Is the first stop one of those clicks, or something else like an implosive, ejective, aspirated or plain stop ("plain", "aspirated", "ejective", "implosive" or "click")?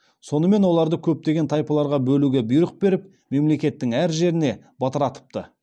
plain